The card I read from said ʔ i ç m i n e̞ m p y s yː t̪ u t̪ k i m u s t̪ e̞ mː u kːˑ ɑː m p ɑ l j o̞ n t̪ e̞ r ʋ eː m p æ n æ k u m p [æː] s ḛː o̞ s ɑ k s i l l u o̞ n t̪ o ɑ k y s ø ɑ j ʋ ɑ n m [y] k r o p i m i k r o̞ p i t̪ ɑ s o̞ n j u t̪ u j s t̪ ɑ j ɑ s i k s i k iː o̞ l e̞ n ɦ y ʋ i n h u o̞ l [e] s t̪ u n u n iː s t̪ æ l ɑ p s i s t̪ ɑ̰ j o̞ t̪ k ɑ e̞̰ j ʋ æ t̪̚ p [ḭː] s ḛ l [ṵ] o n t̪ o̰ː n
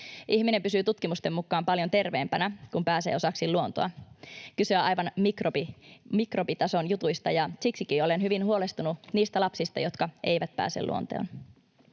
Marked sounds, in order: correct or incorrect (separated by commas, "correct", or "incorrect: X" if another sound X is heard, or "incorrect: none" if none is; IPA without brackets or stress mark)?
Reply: correct, incorrect: i, correct, incorrect: æ̰ː, correct